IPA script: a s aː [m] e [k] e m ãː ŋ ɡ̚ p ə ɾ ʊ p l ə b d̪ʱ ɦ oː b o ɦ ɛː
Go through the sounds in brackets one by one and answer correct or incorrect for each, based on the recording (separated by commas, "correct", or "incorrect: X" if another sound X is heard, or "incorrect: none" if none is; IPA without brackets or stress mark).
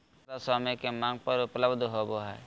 correct, correct